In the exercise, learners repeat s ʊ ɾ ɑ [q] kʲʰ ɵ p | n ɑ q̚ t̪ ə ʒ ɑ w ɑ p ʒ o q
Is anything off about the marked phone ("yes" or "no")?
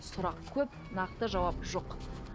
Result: no